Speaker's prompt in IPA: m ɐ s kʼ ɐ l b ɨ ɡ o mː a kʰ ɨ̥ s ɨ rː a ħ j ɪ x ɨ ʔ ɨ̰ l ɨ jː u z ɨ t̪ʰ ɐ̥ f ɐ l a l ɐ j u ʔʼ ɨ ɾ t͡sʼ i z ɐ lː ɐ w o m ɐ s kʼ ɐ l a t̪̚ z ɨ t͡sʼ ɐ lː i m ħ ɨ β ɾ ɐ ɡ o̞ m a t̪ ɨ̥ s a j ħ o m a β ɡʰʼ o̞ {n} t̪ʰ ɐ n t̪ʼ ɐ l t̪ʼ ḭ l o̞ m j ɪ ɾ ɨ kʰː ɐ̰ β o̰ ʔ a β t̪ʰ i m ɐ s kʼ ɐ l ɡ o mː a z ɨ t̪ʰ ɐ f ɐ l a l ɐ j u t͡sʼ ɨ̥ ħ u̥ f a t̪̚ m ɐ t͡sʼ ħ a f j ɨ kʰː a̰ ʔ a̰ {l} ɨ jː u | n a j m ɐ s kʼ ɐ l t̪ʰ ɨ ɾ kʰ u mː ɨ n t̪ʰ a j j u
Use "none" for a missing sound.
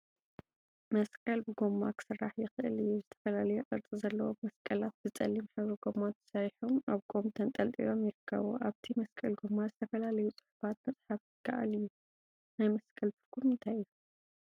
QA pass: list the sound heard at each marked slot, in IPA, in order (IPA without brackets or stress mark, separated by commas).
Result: m, l